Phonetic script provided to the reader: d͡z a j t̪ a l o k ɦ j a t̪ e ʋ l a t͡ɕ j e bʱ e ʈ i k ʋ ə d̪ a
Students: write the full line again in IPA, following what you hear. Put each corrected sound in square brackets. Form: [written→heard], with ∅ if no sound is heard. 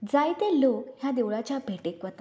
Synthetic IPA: d͡z a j t̪ [a→e] l o k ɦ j a [t̪→d̪] e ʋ [l→ɭ] a t͡ɕ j [e→a] bʱ e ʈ [i→e] k ʋ ə [d̪→t̪] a

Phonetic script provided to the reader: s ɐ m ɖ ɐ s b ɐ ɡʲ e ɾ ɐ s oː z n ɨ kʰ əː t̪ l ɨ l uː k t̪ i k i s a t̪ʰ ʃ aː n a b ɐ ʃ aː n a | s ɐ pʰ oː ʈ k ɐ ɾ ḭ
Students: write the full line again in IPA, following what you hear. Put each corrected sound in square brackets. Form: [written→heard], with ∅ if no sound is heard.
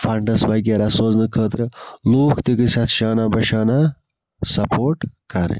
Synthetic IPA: [s→f] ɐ [m→ɳ] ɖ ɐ s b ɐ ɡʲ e ɾ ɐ s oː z n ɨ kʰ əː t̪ [l→ɾ] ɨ l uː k t̪ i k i s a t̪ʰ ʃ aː n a b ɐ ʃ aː n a | s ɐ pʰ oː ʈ k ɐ ɾ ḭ

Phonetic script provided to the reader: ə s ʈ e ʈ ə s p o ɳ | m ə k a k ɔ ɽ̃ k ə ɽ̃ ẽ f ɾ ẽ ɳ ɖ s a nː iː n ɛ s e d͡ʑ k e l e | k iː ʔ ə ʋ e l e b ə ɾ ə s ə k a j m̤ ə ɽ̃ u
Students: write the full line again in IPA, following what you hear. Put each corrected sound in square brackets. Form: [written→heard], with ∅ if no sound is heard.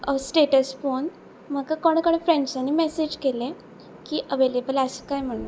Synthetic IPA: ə s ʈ e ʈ ə s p o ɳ | m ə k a k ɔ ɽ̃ k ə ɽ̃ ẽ f ɾ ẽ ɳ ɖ s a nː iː [n→m] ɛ s e d͡ʑ k e l e | k iː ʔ ə ʋ e l e b ə [ɾ→l] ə s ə k a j m̤ ə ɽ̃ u

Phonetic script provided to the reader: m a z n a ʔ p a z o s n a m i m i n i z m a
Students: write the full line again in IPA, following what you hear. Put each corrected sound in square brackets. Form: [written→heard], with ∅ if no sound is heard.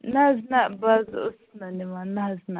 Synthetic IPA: [m→n] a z n a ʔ [p→b] a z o s n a [m→n] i m [i→a] n [i→a] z [m→n] a

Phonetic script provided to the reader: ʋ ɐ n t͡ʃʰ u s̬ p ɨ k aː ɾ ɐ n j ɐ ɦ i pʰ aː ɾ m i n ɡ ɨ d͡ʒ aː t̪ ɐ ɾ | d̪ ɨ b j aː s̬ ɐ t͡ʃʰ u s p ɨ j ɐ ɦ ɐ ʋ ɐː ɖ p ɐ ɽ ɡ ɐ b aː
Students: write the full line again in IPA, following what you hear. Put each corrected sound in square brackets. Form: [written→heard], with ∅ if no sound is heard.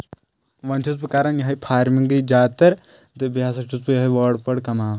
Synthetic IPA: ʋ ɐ n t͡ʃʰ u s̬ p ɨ k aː ɾ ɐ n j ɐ ɦ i pʰ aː ɾ m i [n→ŋ] ɡ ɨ d͡ʒ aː t̪ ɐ ɾ | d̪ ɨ b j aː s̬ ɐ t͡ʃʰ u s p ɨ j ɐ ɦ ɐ ʋ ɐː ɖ p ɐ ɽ [ɡ→k] ɐ [b→m] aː

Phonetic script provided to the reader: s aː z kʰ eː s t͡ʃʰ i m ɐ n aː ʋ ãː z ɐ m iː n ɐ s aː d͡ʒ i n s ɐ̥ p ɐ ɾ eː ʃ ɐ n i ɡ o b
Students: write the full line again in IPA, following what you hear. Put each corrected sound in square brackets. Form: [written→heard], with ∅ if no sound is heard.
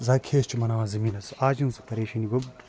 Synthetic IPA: [s→z] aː [z→∅] kʰ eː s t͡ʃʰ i m ɐ n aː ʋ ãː z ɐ m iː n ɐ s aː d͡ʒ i n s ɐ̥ p ɐ ɾ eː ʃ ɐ n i ɡ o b

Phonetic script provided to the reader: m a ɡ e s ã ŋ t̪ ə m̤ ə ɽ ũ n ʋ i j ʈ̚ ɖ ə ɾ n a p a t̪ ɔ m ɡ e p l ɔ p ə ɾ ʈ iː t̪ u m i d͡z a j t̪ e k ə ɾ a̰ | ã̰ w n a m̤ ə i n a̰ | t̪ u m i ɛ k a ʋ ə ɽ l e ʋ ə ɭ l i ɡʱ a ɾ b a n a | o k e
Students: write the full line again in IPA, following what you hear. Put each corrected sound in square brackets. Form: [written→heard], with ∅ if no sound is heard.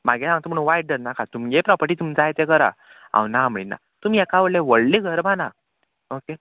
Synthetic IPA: m a ɡ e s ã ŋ t̪ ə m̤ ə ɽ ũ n ʋ [i→a] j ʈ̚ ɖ ə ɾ n a [p→k] a t̪ [ɔ→u] m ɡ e p [l→ɾ] ɔ p ə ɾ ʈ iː t̪ u m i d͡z a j t̪ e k ə ɾ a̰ | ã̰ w n a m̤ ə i n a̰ | t̪ u m i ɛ k a ʋ ə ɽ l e ʋ ə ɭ l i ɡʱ [a→ə] ɾ b a n a | o k e

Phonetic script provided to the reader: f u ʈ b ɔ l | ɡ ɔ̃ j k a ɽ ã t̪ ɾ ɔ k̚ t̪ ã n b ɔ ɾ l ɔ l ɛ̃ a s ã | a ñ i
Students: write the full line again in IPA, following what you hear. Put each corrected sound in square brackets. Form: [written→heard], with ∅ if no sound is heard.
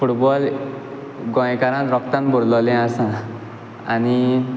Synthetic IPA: f u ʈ b ɔ l | ɡ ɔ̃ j k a [ɽ→ɾ] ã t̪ ɾ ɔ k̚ t̪ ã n b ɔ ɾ l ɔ l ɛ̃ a s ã | a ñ i

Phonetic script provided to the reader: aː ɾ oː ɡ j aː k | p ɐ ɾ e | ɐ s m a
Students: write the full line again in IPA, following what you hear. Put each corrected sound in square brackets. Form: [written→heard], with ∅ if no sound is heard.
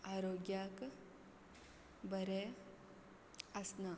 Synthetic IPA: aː ɾ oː ɡ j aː k | [p→b] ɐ ɾ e | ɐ s [m→n] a

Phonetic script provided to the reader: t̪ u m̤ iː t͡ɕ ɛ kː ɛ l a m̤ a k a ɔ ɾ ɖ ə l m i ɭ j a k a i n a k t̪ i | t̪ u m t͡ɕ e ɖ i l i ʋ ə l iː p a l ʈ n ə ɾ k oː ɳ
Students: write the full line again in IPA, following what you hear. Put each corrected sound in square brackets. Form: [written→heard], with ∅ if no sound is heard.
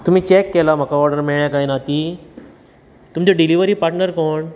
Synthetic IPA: t̪ u m̤ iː t͡ɕ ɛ kː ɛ l a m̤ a k a ɔ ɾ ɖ ə [l→ɾ] m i ɭ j a k a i n a [k→∅] t̪ i | t̪ u m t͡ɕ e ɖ i l i ʋ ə [l→ɾ] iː p a [l→ɾ] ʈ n ə ɾ k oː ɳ

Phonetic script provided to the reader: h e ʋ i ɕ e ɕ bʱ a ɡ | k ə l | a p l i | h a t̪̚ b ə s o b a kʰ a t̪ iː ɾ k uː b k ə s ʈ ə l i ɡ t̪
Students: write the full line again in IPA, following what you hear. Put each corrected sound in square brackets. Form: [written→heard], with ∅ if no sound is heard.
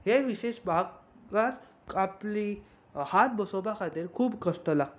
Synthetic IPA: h e ʋ i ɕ e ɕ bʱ a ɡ | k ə [l→ɾ] | a p l i | h a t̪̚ b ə s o b a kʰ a t̪ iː ɾ [k→kʰ] uː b k ə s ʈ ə l [i→a] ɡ t̪

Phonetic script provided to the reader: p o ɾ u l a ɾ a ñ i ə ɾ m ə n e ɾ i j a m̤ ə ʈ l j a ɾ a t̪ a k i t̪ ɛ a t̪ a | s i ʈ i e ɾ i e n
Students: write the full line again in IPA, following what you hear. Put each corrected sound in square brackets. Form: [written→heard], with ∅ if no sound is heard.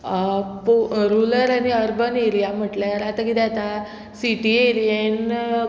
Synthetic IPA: p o ɾ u l [a→ə] ɾ a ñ i ə ɾ [m→b] ə n e ɾ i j a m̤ ə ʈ l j a ɾ a t̪ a k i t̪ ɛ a t̪ a | s i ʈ i e ɾ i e n

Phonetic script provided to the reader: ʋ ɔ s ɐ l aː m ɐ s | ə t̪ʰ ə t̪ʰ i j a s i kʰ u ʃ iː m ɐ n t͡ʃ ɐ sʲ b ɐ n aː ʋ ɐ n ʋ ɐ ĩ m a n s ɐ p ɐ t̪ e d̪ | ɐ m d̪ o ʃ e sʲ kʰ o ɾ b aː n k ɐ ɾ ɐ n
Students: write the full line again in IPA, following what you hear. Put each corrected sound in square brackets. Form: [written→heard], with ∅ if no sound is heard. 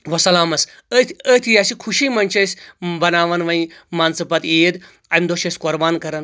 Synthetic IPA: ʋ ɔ s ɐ l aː m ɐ s | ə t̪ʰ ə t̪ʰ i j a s i kʰ u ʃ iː m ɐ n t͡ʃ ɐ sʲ b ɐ n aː ʋ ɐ n ʋ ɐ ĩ m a n s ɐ p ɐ t̪ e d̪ | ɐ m d̪ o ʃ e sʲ [kʰ→k] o ɾ b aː n k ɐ ɾ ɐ n

